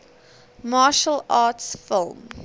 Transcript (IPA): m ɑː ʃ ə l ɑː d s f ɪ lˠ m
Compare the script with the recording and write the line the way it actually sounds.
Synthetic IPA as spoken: m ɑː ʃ ə l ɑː t s f ɪ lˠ m